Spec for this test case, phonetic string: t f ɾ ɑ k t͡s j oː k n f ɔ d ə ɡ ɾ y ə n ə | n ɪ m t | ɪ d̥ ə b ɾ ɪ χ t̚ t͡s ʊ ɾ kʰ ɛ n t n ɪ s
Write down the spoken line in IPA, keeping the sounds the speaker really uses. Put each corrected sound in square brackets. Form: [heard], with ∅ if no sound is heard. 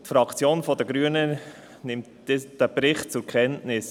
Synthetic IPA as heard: t f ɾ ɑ k t͡s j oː [∅] n f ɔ d ə ɡ ɾ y ə n ə | n ɪ m t | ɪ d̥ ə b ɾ ɪ χ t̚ t͡s ʊ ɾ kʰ ɛ n t n ɪ s